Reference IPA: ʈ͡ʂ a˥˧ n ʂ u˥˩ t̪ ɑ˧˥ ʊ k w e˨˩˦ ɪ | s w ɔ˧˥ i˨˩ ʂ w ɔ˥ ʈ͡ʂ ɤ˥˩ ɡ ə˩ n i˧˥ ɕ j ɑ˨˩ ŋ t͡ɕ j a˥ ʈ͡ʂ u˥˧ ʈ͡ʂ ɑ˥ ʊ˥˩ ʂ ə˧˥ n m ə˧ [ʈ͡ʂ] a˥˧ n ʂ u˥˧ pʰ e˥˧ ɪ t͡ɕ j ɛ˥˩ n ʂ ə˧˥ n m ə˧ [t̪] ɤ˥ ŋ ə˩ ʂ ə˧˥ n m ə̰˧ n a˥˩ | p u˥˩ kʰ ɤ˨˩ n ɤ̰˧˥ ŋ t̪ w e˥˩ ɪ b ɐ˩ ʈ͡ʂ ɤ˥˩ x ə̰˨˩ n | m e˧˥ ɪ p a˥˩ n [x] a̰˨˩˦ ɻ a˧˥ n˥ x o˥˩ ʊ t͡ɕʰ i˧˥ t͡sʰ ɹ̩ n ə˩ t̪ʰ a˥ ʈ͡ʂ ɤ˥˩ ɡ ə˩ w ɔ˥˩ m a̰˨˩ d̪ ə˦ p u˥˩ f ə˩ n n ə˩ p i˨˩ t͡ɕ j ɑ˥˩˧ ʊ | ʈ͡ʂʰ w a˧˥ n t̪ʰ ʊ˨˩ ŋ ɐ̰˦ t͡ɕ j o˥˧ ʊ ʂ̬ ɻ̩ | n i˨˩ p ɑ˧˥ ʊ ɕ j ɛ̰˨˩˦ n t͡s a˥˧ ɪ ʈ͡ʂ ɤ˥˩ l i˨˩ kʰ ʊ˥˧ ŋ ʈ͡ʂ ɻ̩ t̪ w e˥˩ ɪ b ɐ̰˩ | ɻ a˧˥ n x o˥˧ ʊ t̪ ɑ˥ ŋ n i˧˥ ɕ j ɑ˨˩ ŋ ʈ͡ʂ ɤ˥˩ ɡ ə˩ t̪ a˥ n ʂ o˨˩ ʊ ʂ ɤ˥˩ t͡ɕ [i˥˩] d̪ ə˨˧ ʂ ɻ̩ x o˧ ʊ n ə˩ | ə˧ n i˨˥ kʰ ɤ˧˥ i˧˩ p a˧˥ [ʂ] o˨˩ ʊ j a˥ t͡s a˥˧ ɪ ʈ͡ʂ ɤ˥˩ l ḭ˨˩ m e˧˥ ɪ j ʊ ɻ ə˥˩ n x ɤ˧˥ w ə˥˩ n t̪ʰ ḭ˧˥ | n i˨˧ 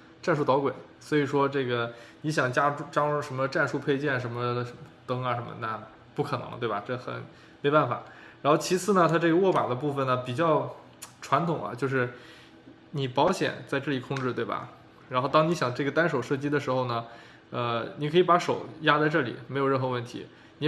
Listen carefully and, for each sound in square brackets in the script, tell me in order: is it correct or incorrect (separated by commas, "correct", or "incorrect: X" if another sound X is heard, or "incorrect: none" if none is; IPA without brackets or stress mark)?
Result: correct, correct, incorrect: f, incorrect: i˥, correct